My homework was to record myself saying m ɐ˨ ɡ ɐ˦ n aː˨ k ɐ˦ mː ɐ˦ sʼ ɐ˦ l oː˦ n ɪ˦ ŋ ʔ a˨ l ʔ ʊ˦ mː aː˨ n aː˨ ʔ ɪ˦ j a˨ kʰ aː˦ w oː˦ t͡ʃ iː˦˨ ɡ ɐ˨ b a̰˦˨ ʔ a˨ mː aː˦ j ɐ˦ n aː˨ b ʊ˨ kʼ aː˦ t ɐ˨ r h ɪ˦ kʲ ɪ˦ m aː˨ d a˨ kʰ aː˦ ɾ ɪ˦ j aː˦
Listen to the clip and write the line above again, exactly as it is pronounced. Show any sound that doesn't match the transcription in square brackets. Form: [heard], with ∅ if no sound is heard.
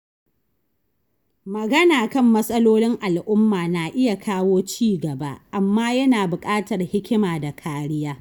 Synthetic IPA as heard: m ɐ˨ ɡ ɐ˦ n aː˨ k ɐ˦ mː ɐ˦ sʼ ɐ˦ l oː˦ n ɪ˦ ŋ ʔ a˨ l ʔ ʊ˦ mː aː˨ n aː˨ ʔ ɪ˦ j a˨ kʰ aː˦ w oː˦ t͡ʃ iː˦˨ ɡ ɐ˨ b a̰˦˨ ʔ a˨ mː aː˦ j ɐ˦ n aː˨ b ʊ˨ kʼ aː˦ t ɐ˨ r h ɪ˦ kʲ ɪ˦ m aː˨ d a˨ kʰ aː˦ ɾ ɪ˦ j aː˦